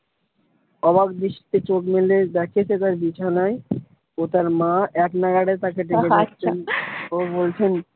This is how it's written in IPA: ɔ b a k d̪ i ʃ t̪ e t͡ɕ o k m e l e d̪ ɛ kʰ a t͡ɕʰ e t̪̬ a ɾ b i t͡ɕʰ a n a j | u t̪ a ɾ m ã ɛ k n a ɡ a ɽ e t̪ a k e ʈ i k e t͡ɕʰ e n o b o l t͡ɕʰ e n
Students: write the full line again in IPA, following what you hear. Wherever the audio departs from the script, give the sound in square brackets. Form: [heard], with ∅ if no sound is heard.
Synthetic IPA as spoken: ɔ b a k d̪ i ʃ t̪ e t͡ɕ o k m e l e d̪ ɛ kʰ [e] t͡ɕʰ e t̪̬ a ɾ b i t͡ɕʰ a n a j | [o] t̪ a ɾ m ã ɛ k n a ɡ a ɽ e t̪ a k e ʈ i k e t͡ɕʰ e n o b o l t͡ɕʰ e n